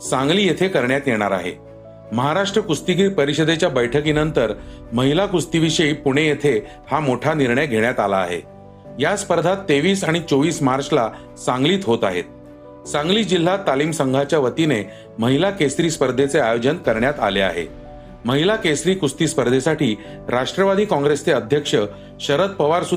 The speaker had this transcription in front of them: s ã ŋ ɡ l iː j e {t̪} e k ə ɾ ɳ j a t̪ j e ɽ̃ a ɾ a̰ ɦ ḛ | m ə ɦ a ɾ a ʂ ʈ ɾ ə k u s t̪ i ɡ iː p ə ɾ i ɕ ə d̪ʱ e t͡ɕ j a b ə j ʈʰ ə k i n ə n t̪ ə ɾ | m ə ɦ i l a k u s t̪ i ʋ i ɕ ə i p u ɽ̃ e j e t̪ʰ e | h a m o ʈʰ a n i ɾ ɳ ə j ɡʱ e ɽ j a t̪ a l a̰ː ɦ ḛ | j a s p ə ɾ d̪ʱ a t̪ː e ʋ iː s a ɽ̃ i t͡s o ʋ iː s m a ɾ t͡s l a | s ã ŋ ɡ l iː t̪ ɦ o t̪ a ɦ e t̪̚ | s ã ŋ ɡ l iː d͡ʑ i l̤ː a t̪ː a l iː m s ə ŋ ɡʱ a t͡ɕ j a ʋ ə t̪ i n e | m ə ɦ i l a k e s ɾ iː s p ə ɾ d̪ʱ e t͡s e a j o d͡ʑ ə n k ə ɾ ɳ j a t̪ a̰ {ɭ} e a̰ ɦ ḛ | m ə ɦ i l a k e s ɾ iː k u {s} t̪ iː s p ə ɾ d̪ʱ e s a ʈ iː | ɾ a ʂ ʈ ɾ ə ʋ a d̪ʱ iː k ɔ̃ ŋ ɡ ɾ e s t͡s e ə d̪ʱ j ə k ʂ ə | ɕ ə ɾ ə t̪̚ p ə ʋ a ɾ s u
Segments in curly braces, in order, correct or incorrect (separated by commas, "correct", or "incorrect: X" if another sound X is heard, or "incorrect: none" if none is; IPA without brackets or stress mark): incorrect: t̪ʰ, incorrect: l, correct